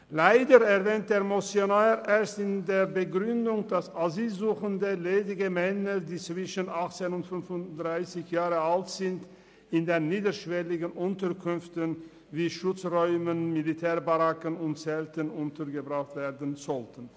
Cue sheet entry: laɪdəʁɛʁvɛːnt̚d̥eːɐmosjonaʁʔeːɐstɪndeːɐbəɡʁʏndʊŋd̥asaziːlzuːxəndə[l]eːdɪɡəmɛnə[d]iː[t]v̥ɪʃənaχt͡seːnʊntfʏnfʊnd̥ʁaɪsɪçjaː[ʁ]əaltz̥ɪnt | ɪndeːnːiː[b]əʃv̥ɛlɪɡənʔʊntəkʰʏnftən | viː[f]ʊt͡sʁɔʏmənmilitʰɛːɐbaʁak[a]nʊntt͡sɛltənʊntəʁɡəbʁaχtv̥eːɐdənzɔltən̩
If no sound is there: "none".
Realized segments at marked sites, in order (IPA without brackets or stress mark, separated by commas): l, d, t͡s, ʁ, d, ʃ, ə